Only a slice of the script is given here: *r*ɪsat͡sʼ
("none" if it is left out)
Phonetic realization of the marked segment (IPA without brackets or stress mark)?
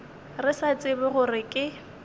r